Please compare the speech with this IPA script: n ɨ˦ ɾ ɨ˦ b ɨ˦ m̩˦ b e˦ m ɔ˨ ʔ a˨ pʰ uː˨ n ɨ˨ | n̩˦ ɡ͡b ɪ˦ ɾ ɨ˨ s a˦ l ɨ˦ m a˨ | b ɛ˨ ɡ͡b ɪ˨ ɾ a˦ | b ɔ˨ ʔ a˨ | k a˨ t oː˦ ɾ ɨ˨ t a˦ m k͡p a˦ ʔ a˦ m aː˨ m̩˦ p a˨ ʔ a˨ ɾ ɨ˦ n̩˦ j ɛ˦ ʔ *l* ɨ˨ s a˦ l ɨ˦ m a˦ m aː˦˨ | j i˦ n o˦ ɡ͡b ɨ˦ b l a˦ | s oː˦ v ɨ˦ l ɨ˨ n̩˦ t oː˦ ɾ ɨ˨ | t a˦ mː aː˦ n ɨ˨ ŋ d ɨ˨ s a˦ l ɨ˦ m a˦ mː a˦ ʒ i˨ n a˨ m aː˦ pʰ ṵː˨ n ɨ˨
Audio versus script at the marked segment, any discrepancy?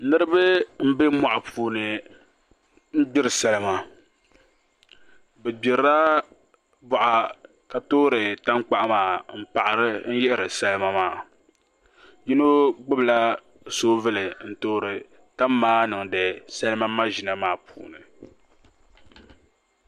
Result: yes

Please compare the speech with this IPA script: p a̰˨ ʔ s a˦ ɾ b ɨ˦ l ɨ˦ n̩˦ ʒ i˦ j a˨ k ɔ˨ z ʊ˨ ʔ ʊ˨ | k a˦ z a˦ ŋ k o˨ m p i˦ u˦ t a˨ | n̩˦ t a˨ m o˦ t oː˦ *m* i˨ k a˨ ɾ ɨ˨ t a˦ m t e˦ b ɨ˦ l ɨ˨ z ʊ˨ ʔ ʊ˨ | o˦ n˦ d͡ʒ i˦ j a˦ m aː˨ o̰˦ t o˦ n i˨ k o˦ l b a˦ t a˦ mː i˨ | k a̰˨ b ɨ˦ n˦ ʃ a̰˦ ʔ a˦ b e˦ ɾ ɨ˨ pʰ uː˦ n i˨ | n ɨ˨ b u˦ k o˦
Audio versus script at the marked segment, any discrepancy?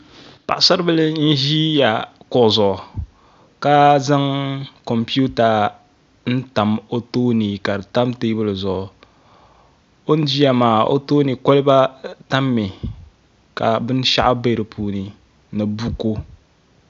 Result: yes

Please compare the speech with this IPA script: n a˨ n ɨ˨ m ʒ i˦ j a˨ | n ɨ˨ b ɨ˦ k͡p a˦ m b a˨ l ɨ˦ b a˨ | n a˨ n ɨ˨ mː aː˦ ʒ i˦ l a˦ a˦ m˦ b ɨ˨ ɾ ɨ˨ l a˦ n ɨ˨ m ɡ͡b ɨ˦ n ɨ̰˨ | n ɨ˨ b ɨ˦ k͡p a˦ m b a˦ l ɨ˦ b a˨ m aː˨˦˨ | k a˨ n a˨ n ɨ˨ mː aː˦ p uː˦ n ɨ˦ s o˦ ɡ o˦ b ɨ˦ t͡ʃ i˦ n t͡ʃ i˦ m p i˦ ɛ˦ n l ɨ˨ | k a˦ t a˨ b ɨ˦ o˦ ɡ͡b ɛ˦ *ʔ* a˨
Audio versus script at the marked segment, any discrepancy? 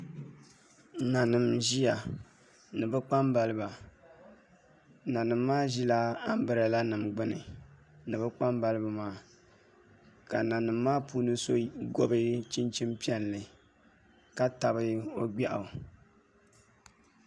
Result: no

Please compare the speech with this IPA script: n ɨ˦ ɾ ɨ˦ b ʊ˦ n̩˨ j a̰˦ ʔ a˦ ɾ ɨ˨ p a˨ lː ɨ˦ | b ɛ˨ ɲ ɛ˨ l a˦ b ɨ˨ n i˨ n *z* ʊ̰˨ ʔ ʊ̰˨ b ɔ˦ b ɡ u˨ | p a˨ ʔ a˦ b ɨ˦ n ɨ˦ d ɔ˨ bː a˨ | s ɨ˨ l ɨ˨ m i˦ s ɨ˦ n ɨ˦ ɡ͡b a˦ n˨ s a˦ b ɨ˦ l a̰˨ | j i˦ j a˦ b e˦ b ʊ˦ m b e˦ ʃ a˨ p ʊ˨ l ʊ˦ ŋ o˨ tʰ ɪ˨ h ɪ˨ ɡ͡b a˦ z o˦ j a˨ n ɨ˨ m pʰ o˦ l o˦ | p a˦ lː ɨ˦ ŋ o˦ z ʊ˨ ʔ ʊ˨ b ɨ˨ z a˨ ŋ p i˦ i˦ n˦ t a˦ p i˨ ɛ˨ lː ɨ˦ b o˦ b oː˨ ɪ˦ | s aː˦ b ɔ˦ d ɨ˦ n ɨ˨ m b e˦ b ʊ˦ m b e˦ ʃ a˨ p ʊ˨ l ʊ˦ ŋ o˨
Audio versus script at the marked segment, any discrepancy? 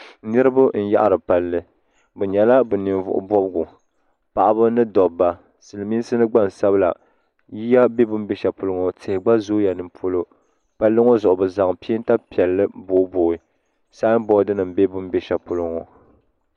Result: yes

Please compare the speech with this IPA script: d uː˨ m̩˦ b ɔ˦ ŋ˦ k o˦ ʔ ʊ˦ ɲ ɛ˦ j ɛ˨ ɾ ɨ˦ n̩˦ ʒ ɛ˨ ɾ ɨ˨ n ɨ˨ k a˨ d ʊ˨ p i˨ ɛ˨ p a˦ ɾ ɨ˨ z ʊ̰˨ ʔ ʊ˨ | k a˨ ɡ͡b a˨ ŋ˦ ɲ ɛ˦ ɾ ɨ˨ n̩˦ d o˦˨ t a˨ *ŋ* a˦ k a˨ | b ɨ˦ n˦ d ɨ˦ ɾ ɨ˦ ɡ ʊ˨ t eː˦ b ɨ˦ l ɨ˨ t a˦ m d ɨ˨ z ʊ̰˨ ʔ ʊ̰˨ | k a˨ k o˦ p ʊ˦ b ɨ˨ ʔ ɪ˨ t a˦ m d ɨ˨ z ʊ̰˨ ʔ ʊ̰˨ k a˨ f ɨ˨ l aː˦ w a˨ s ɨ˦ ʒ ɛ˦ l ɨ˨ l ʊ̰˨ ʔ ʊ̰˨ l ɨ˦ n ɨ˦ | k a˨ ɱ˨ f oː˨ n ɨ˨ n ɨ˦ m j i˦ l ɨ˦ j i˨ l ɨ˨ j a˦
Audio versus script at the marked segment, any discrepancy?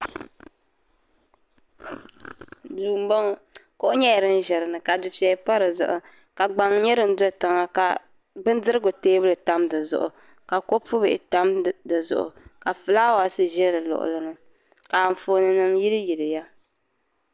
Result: no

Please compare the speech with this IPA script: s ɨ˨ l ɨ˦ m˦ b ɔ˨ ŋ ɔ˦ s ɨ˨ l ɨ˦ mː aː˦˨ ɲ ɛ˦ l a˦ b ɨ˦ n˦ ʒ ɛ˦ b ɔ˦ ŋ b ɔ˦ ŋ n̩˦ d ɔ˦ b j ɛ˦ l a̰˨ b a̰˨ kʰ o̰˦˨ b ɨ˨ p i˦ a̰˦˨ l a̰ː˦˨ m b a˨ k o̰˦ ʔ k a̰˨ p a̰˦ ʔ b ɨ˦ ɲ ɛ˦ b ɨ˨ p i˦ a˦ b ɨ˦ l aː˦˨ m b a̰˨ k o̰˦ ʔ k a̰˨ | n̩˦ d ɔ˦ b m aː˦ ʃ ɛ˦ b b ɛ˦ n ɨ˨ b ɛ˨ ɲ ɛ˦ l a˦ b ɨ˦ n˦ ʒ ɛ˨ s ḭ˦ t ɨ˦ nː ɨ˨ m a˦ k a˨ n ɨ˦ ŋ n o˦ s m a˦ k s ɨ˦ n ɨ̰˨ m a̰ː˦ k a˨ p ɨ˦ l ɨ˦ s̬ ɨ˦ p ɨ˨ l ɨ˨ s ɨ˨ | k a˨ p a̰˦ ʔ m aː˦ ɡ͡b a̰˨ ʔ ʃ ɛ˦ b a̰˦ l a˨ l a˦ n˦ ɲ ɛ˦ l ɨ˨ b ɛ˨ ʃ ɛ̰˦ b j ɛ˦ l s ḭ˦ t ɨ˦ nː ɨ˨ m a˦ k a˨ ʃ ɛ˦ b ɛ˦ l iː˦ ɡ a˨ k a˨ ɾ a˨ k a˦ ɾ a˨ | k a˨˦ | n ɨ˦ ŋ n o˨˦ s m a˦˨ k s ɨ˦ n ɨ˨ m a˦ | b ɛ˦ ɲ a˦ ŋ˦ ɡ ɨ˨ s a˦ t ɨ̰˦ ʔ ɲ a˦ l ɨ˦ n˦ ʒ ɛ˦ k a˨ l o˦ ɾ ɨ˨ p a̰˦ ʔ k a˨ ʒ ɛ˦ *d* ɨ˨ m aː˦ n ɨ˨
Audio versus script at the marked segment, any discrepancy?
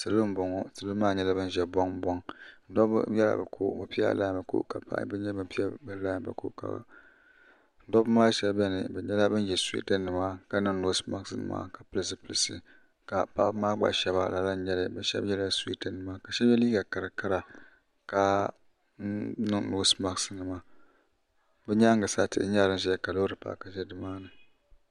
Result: no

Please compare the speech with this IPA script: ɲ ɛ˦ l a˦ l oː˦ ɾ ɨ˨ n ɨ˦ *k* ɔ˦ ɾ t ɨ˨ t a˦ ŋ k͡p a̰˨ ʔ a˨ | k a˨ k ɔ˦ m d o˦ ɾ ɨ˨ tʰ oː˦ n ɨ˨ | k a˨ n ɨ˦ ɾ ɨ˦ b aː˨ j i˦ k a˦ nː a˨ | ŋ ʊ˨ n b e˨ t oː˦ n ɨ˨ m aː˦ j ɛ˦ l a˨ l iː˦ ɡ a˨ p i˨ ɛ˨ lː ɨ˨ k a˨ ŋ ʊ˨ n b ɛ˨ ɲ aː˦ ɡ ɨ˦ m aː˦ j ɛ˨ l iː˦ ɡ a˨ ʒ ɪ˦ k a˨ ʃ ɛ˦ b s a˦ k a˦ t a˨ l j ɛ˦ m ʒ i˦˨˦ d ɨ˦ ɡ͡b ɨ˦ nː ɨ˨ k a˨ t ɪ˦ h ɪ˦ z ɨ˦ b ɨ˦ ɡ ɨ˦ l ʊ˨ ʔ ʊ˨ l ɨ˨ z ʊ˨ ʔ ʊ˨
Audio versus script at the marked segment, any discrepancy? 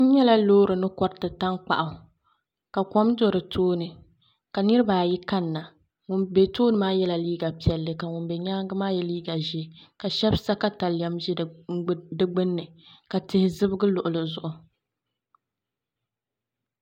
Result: no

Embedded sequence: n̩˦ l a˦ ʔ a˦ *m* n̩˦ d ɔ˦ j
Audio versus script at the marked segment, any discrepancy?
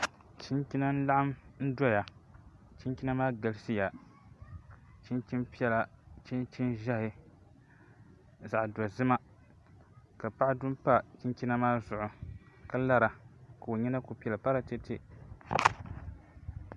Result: no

